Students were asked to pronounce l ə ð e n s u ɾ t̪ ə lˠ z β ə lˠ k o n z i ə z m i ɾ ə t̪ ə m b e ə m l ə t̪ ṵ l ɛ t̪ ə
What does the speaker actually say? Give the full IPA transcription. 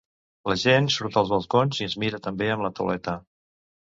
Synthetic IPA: l ə ʒ e n s u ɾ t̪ ə lˠ z β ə lˠ k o n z i ə z m i ɾ ə t̪ ə m b e ə m l ə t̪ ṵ l ɛ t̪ ə